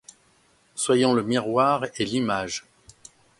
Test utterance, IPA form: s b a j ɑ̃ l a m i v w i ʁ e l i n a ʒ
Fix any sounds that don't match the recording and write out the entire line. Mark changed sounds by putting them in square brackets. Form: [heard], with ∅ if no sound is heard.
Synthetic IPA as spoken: s [w] a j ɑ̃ l [ə] m i [ʁ] w [a] ʁ e l i [m] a ʒ

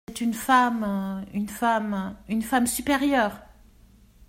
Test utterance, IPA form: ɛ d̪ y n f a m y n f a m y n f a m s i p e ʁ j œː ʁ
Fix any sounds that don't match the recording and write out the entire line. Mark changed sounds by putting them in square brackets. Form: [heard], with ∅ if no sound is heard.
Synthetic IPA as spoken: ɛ [t̪] y n f a m y n f a m y n f a m s [y] p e ʁ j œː ʁ

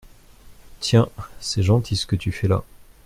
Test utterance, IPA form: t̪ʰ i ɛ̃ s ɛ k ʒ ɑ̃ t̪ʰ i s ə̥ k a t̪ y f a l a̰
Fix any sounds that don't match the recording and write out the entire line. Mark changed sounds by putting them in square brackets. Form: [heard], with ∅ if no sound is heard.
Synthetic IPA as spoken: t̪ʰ [j] ɛ̃ s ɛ [∅] ʒ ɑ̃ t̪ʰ i s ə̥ k [ə] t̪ y f [ɛ] l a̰

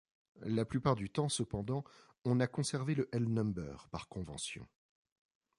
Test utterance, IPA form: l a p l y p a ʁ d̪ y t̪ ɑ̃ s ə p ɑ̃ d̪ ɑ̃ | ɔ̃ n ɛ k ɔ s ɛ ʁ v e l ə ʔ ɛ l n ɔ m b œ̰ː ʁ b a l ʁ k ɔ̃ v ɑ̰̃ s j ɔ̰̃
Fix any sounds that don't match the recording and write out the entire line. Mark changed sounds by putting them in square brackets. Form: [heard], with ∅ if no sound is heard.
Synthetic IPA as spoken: l a p l y p a ʁ d̪ y t̪ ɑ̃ s ə p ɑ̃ d̪ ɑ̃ | ɔ̃ n [a] k [ɔ̃] s ɛ ʁ v e l ə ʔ ɛ l n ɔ m b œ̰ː ʁ [p] a [∅] ʁ k ɔ̃ v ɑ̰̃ s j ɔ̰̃

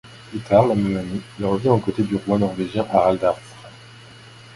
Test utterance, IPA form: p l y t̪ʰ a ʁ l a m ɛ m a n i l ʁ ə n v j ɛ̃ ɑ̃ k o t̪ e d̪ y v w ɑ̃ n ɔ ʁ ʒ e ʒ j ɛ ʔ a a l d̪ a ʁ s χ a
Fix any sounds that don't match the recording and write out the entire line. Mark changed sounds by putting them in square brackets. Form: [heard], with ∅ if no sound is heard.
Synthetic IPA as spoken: p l y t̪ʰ a ʁ l a m ɛ m a n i l ʁ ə [∅] v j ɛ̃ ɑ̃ k o t̪ e d̪ y [ʁ] w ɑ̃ n ɔ ʁ [v] e ʒ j [ɛ̃] ʔ a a l d̪ a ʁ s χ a

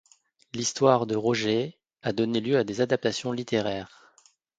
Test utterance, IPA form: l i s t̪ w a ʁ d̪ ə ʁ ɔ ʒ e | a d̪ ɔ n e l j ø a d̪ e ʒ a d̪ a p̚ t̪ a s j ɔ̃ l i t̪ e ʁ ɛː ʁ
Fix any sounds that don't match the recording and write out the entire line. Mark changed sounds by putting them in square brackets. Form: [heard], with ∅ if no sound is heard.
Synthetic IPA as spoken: l i s t̪ w a ʁ d̪ ə ʁ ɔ ʒ e | a d̪ ɔ n e l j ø a d̪ e [z] a d̪ a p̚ t̪ a s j ɔ̃ l i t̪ e ʁ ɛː ʁ

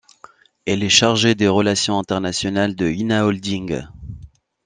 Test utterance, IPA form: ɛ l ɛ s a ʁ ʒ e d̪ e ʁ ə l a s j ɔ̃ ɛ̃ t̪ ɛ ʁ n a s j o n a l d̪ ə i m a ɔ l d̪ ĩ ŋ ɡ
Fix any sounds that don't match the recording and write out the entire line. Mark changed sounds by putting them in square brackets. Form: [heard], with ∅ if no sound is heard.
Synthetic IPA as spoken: ɛ l ɛ [ʃ] a ʁ ʒ e d̪ e ʁ ə l a s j ɔ̃ ɛ̃ t̪ ɛ ʁ n a s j [ɔ] n a l d̪ ə i [n] a ɔ l d̪ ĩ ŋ ɡ

